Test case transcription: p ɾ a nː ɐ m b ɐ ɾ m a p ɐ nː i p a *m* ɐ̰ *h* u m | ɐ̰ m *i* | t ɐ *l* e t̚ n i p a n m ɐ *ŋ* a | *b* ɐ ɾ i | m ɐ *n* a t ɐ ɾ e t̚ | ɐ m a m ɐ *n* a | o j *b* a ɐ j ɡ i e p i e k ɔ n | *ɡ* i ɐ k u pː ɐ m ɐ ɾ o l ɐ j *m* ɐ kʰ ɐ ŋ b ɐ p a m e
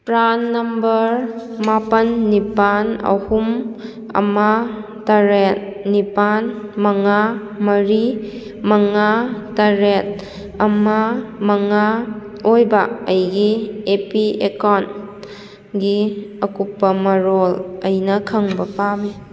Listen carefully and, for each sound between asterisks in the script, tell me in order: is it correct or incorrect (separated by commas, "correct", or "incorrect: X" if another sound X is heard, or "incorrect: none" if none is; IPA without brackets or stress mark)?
incorrect: n, correct, incorrect: a, incorrect: ɾ, correct, incorrect: m, incorrect: ŋ, incorrect: ŋ, correct, correct, incorrect: n